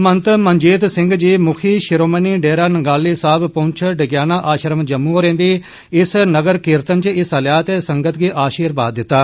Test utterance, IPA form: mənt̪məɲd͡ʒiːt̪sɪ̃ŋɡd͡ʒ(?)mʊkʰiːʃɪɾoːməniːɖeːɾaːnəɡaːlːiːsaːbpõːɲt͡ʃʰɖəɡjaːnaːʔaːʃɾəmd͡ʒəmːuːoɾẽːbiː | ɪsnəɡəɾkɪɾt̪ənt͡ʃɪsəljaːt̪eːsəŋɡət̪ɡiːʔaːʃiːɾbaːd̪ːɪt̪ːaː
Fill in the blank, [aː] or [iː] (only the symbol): iː